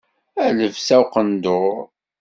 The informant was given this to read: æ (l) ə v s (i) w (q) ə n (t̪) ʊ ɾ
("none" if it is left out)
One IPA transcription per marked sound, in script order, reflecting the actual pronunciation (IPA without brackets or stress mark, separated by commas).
l, æ, q, d̪